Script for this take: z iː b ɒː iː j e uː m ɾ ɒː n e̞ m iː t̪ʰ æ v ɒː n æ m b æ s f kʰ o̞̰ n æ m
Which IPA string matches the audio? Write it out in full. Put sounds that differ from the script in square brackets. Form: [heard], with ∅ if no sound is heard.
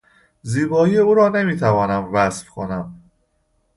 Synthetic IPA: z iː b ɒː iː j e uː [∅] ɾ ɒː n e̞ m iː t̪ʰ æ v ɒː n æ m [v] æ s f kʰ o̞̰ n æ m